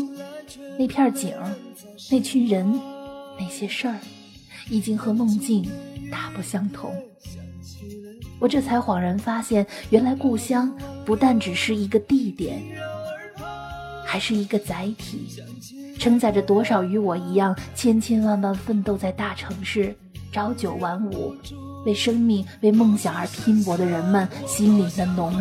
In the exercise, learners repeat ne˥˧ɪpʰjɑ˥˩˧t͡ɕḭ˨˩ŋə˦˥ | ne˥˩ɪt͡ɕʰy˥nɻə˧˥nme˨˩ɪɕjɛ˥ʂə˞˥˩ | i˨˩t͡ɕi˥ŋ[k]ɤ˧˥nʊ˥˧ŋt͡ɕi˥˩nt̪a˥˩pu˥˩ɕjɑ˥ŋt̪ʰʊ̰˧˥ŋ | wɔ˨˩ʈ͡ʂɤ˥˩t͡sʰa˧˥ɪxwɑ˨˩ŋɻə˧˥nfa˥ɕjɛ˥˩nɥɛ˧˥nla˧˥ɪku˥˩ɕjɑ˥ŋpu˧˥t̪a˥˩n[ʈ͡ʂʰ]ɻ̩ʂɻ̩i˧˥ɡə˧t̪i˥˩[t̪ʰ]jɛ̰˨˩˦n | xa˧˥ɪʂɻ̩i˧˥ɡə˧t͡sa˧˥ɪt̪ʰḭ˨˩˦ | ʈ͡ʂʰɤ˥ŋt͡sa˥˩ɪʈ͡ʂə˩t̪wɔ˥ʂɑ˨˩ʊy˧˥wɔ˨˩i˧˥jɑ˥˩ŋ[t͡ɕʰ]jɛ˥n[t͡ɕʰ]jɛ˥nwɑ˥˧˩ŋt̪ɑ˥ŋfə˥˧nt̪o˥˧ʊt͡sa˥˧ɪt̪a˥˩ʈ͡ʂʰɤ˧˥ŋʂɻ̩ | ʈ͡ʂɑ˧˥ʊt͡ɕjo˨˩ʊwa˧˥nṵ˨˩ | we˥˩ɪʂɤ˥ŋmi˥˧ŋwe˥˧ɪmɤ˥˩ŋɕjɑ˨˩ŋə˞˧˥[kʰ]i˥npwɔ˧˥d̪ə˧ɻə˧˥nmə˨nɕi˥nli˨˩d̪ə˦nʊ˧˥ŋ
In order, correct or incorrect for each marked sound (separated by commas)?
incorrect, incorrect, incorrect, correct, correct, incorrect